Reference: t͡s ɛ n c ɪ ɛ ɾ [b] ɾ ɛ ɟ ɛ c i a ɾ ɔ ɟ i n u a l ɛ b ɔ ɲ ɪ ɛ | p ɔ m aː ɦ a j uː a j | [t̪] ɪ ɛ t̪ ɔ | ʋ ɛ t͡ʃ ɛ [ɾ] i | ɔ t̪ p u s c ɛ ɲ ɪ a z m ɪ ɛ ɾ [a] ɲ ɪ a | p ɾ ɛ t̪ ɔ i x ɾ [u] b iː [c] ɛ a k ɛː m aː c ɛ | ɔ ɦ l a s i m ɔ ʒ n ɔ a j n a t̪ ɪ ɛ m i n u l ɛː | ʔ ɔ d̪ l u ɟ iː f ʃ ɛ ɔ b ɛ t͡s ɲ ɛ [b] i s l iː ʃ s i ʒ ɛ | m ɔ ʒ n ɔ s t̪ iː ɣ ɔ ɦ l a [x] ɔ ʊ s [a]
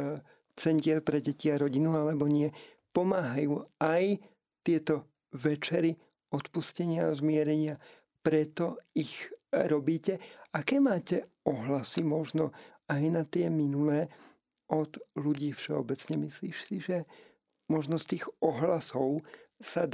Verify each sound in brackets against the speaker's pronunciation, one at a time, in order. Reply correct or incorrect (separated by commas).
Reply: incorrect, correct, correct, incorrect, incorrect, correct, incorrect, incorrect, correct